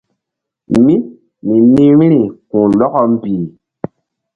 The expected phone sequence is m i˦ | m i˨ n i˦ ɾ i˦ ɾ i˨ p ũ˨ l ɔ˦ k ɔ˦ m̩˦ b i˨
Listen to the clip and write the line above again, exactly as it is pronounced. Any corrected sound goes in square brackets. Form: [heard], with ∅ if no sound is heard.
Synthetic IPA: m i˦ | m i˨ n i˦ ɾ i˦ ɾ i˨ [k] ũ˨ l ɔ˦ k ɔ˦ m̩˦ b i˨